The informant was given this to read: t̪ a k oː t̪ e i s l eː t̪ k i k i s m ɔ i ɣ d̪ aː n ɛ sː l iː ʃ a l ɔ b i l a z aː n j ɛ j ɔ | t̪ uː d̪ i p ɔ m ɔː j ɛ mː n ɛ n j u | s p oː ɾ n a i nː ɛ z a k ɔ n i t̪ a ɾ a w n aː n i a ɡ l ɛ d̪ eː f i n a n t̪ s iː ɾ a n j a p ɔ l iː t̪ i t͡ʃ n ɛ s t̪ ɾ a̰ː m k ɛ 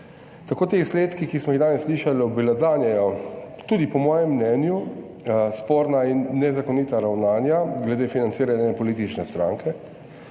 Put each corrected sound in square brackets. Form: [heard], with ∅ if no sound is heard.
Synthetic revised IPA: t̪ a k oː t̪ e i s l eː t̪ k i k i s m ɔ i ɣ d̪ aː n ɛ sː l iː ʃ a l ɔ b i l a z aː n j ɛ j ɔ | t̪ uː d̪ i p ɔ m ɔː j ɛ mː n ɛ n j u | s p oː ɾ n a i nː ɛ z a k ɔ n i t̪ a ɾ a w n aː n [j] a ɡ l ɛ d̪ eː f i n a n t̪ s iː ɾ a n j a p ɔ l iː t̪ i t͡ʃ n ɛ s t̪ ɾ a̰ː [ŋ] k ɛ